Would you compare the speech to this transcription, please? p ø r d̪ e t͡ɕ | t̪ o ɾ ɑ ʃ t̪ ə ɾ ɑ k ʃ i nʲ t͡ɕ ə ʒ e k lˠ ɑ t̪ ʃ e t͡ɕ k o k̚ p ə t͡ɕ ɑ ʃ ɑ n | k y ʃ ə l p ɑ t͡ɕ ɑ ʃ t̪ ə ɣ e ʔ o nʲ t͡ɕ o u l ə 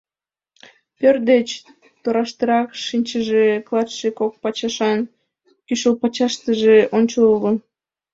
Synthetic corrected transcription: p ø r d̪ e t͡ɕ | t̪ o ɾ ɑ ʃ t̪ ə ɾ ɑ k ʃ i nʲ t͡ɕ ə ʒ e k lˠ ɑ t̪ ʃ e k o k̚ p ɑ t͡ɕ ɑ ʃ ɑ n | k y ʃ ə l p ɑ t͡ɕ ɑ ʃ t̪ ə ʒ e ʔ o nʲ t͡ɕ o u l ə